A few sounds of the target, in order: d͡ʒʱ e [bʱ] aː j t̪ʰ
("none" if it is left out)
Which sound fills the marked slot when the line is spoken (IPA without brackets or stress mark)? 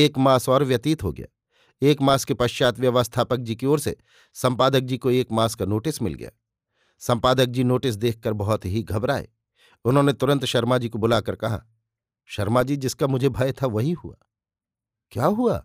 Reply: bʱ